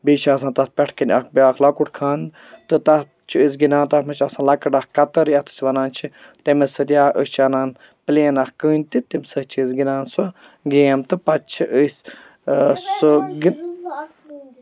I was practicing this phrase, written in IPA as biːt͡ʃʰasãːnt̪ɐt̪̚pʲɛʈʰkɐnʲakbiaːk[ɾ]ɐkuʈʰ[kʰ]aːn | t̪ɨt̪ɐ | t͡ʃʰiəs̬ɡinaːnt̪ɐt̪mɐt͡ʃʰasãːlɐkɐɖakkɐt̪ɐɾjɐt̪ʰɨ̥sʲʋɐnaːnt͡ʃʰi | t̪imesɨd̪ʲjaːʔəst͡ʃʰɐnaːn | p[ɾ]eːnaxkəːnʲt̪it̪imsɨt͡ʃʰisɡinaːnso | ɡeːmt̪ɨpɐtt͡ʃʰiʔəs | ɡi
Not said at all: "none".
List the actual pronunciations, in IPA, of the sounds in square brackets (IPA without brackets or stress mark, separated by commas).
l, kʰ, l